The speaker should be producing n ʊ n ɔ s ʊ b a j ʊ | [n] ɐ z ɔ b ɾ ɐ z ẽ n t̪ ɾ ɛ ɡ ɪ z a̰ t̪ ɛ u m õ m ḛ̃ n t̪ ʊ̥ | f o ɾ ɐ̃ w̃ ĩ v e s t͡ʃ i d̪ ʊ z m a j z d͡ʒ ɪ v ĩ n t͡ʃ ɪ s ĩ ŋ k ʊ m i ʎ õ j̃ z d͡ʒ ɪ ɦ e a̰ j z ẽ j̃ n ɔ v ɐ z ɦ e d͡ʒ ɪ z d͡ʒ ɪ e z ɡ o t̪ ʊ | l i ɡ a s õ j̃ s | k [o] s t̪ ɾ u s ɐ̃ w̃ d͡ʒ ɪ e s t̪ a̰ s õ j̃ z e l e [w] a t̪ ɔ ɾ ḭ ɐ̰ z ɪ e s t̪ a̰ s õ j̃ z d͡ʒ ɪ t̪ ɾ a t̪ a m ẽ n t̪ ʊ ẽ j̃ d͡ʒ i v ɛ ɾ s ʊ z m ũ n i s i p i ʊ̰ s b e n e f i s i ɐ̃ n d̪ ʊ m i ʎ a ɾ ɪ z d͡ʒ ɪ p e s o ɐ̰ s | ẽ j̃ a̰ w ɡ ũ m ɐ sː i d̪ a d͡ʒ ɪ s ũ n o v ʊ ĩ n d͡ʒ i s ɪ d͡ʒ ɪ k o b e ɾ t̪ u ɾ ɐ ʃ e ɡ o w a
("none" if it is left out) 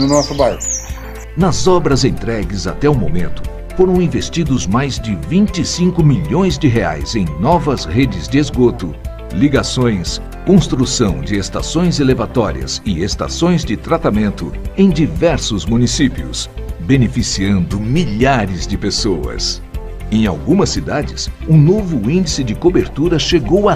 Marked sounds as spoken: n, õ, v

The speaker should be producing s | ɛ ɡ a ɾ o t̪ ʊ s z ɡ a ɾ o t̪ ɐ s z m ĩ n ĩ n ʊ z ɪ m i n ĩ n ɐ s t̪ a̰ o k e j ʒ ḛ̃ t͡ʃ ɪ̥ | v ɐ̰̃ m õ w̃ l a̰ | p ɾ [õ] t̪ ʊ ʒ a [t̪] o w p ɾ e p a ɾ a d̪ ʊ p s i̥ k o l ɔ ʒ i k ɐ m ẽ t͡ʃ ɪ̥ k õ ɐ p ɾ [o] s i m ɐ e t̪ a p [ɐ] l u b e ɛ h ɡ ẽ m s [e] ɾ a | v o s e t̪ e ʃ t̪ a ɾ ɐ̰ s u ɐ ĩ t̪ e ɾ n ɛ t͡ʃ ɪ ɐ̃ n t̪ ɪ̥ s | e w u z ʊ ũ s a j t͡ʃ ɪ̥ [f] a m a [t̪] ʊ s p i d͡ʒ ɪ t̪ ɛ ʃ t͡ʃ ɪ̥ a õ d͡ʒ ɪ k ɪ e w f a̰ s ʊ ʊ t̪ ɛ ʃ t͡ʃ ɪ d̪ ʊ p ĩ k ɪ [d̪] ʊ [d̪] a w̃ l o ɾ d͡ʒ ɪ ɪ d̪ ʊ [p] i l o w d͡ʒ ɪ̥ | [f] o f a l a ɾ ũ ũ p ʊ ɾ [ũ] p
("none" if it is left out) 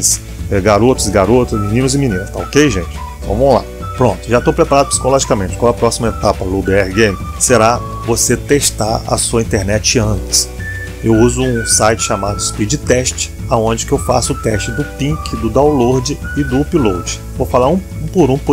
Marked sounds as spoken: õ, t̪, ɔ, ɐ, e, ʃ, d̪, d̪, d̪, p, v, ũ

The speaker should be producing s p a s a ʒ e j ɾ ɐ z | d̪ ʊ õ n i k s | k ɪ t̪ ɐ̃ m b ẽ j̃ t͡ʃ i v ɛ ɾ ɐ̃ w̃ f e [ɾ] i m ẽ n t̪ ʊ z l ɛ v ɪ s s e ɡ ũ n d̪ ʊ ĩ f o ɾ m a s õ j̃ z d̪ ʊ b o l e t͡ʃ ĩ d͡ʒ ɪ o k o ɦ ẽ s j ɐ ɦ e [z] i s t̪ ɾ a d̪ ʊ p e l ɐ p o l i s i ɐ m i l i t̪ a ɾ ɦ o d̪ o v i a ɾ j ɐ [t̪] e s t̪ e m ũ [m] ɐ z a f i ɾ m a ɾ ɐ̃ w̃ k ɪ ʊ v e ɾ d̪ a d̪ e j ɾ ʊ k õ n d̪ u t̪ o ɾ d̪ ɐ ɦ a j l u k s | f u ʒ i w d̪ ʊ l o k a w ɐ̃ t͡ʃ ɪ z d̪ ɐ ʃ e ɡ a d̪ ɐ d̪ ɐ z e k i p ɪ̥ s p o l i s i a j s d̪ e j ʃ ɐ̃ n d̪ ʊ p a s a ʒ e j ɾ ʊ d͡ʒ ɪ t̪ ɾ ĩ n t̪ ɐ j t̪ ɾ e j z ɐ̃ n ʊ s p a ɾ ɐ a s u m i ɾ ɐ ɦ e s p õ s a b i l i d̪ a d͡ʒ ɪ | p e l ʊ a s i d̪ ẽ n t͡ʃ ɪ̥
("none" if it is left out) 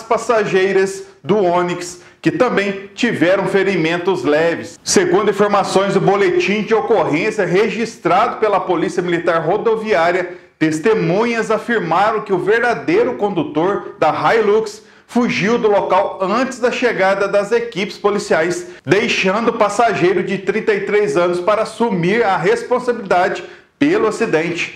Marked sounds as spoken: ɾ, ʒ, t̪, ɲ

